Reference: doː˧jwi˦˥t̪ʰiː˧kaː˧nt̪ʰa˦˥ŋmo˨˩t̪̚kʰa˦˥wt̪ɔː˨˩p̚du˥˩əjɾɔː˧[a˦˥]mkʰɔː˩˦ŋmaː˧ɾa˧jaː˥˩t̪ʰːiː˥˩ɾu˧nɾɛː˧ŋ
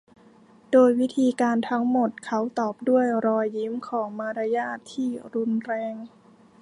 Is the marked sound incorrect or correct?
incorrect